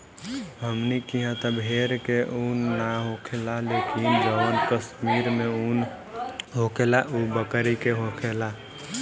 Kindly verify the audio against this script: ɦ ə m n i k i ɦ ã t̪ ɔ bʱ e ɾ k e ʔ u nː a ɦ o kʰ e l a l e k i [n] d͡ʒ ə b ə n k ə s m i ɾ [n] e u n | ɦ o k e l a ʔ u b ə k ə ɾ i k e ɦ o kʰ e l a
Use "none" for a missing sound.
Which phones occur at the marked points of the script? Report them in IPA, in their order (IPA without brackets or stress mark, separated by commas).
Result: n, m